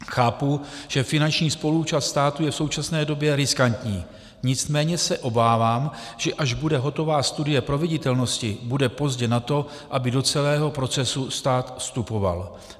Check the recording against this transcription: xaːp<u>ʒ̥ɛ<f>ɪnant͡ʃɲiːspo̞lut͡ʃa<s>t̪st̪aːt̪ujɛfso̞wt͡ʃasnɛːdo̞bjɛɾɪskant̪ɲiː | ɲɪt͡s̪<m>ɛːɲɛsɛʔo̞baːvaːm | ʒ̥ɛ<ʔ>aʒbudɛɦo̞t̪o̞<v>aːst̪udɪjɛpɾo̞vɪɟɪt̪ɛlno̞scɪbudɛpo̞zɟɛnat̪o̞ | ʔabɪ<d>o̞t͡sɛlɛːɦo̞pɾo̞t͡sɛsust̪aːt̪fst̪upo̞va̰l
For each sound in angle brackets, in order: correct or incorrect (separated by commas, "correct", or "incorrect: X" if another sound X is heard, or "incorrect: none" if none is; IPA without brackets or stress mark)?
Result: correct, correct, correct, correct, correct, correct, correct